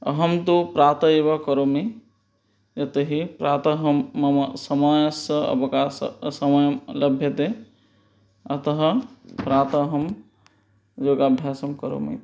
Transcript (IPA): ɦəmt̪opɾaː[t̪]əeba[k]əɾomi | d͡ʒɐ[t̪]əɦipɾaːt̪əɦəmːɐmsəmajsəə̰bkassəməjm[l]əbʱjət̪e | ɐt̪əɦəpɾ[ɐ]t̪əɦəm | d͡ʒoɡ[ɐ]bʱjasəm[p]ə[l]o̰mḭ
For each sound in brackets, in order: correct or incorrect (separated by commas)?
correct, correct, correct, correct, incorrect, incorrect, incorrect, incorrect